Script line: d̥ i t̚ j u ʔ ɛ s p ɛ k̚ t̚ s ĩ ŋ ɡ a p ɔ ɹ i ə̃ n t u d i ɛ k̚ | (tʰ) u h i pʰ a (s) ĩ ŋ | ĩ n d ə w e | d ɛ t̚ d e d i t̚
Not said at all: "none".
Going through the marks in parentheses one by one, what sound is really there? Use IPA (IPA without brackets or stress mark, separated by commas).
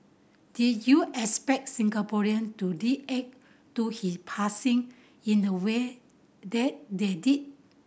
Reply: t, s